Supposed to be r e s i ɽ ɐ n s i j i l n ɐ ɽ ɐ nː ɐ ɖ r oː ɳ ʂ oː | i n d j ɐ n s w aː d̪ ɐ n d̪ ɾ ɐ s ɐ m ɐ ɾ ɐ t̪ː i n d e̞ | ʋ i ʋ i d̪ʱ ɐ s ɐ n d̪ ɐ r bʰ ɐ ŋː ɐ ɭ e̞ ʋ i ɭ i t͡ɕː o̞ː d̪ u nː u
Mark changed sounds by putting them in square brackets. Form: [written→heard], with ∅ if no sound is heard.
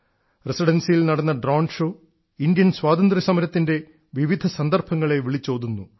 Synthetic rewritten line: r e s i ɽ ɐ n s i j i l n ɐ ɽ ɐ nː ɐ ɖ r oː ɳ ʂ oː | i n d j ɐ n s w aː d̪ ɐ n d̪ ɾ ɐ s ɐ m ɐ ɾ ɐ t̪ː i n d e̞ | ʋ i ʋ i d̪ʱ ɐ s ɐ n d̪ ɐ r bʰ ɐ ŋː ɐ ɭ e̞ ʋ i ɭ i t͡ɕː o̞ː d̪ u nː u